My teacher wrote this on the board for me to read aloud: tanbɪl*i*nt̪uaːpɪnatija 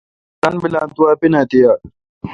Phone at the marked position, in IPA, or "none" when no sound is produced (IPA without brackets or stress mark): a